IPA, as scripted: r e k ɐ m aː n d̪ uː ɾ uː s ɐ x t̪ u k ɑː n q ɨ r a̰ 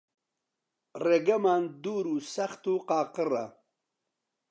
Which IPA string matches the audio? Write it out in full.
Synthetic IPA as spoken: r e ɡ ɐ m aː n d̪ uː ɾ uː s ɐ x t̪ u q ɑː q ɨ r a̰